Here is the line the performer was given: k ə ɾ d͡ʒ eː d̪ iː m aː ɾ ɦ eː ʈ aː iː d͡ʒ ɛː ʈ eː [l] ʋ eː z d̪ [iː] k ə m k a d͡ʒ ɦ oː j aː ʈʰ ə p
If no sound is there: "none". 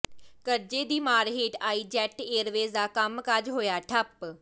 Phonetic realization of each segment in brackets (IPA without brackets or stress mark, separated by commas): ɾ, aː